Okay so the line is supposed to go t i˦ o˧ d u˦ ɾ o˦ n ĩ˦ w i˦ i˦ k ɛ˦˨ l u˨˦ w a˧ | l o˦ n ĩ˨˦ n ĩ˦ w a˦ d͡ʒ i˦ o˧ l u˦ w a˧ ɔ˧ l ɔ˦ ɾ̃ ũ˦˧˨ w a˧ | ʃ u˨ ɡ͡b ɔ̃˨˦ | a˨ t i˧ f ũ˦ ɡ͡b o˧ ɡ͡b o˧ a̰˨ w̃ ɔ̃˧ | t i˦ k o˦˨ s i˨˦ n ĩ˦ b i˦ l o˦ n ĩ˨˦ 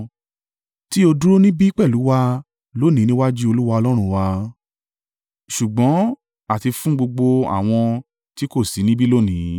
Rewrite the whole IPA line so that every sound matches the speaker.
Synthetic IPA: t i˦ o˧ d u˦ ɾ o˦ n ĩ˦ b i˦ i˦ k͡p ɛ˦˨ l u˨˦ w a˧ | l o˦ n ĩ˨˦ n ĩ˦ w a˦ d͡ʒ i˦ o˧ l u˦ w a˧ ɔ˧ l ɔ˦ ɾ̃ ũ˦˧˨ w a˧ | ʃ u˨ ɡ͡b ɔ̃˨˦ | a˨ t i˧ f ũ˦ ɡ͡b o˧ ɡ͡b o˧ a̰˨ w̃ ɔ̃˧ | t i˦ k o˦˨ s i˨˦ n ĩ˦ b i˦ l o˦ n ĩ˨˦